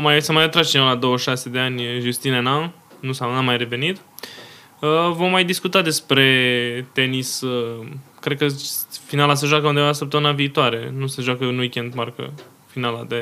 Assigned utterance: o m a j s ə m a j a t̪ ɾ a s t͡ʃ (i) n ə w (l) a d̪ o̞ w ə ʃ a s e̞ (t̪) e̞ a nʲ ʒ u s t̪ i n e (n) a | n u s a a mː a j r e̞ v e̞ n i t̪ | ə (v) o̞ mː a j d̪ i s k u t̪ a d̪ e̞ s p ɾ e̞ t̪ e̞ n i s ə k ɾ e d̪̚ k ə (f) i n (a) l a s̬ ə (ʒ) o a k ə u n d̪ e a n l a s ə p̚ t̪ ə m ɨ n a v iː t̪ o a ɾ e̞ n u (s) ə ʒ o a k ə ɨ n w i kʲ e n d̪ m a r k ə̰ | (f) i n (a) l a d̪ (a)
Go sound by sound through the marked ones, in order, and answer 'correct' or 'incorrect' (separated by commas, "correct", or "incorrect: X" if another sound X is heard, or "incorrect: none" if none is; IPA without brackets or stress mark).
correct, correct, incorrect: d̪, correct, correct, correct, correct, correct, correct, correct, correct, incorrect: e